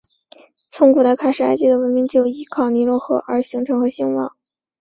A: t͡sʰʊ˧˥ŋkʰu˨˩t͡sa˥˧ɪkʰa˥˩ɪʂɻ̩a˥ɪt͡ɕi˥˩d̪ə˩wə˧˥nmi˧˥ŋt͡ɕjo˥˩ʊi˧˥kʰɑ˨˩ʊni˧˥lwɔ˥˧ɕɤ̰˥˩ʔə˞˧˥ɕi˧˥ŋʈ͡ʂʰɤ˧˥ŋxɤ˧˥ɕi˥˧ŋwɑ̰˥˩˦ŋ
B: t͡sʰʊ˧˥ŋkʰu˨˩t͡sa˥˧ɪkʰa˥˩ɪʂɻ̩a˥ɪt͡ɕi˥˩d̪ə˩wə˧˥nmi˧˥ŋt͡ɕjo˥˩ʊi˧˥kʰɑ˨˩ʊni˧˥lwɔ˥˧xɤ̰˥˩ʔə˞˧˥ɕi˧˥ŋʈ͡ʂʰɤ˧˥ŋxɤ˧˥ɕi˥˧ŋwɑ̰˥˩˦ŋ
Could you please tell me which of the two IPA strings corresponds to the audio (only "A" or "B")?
B